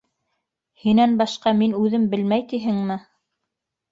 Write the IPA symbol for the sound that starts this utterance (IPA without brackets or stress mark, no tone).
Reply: h